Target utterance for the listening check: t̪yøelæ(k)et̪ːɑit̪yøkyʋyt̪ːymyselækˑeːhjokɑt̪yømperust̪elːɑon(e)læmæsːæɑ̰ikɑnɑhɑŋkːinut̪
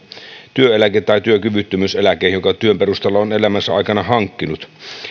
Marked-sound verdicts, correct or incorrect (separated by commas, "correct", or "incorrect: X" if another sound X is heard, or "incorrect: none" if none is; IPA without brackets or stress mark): correct, correct